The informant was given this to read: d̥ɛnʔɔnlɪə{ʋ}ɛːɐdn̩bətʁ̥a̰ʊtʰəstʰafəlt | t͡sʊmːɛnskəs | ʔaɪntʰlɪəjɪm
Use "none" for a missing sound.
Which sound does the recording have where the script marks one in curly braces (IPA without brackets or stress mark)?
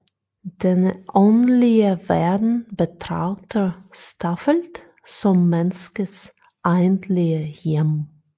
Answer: v